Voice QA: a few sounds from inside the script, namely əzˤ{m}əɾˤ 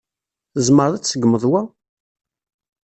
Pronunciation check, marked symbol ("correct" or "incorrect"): correct